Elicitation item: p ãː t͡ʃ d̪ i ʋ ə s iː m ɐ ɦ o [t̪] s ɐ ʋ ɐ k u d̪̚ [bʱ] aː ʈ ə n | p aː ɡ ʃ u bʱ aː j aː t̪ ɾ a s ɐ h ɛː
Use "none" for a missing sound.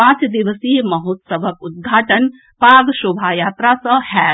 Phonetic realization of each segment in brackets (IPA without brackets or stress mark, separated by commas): t̪, ɡʱ